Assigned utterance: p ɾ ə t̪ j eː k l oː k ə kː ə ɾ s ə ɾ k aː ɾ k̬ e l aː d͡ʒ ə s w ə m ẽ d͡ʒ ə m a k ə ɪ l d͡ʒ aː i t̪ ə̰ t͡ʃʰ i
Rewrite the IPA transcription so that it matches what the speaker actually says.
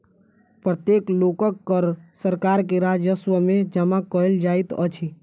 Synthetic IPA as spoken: p ɾ ə t̪ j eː k l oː k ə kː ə ɾ s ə ɾ k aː ɾ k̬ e ɾ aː d͡ʒ ə s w ə m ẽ d͡ʒ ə m a k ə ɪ l d͡ʒ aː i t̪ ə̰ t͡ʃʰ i